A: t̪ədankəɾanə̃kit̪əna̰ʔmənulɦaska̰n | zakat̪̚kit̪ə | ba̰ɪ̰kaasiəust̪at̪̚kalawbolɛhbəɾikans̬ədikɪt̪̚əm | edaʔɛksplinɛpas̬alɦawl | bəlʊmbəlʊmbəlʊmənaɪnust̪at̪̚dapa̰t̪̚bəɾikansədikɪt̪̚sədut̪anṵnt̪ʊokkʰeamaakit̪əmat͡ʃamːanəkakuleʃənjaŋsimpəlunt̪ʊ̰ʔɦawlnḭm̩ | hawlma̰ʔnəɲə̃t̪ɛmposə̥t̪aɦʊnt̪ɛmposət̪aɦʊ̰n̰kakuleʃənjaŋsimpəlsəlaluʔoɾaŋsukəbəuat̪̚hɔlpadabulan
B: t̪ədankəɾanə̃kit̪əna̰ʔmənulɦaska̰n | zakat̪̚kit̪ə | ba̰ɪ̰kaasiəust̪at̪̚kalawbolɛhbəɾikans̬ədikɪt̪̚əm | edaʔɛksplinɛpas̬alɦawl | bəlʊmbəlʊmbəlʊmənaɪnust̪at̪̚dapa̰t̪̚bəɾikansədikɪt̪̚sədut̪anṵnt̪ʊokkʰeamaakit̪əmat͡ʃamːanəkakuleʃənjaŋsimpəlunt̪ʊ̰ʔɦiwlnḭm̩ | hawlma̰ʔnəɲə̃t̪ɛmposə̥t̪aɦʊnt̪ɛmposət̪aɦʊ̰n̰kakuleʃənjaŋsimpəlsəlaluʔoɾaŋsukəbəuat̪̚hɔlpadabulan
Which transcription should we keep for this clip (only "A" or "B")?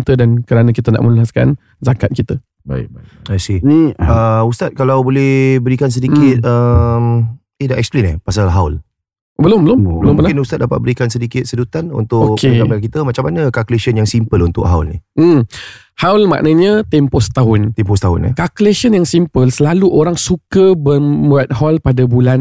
A